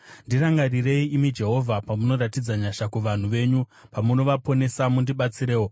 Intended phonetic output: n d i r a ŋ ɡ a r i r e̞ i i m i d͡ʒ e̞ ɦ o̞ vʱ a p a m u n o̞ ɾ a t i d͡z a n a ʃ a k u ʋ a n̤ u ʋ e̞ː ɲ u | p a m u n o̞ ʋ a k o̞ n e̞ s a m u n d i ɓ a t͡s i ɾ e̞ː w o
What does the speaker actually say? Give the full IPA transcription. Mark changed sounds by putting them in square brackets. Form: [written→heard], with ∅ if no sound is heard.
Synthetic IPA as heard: n d i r a ŋ ɡ a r i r e̞ i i m i d͡ʒ e̞ ɦ o̞ vʱ a p a m u n o̞ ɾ a t i d͡z a [n→ɲ] a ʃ a k u ʋ a n̤ u ʋ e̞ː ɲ u | p a m u n o̞ ʋ a [k→p] o̞ n e̞ s a m u n d i ɓ a t͡s i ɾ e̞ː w o